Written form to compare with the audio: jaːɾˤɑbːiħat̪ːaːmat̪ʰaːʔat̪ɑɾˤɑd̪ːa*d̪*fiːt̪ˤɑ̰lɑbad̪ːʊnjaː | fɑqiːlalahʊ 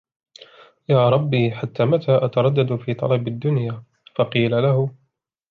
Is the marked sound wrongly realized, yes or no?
no